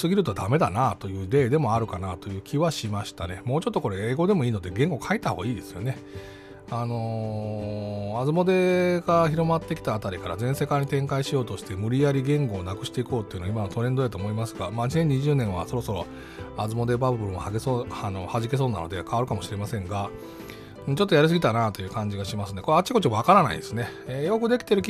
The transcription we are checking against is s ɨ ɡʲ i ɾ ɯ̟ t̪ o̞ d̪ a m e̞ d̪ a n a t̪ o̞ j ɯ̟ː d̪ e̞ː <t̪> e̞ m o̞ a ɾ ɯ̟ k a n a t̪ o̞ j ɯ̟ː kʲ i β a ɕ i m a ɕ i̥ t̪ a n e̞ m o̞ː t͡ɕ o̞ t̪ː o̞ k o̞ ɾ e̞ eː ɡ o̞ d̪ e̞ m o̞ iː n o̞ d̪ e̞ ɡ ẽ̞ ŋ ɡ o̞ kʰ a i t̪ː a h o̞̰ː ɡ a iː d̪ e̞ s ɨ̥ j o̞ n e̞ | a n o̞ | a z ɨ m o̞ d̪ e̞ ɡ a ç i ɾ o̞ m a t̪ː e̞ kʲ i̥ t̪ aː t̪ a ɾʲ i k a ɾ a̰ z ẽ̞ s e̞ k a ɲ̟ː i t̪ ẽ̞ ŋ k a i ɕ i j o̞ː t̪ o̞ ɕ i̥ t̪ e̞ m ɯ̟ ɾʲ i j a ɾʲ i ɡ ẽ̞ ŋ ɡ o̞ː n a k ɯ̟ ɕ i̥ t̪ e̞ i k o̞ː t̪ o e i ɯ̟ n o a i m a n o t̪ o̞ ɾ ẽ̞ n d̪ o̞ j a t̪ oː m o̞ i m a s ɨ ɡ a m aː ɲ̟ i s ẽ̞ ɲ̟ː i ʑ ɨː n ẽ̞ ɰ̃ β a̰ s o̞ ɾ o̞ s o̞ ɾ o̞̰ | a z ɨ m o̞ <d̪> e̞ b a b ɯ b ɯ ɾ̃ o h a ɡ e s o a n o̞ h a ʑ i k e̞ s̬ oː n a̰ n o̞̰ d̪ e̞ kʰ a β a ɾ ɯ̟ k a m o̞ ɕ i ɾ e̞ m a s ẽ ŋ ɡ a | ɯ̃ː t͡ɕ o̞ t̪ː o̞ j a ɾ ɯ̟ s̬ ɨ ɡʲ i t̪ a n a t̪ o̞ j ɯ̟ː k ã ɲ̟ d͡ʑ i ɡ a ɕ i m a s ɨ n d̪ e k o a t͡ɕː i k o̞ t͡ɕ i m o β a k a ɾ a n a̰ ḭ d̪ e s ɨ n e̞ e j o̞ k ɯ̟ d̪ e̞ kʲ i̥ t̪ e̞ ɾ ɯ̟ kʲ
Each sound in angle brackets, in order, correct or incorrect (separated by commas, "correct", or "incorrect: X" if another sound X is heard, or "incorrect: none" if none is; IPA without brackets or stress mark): incorrect: d̪, correct